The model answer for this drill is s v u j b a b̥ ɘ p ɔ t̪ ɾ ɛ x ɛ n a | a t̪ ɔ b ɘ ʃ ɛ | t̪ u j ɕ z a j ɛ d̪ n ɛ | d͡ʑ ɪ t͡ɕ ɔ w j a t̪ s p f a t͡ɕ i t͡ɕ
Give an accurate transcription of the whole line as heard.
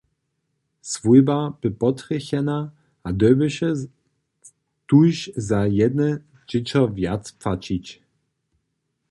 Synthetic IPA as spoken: s v u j b a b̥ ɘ p ɔ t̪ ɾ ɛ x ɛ n a | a d̪ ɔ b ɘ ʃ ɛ | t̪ u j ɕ z a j ɛ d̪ n ɛ | d͡ʑ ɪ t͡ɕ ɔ v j a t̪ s p f a t͡ɕ i t͡ɕ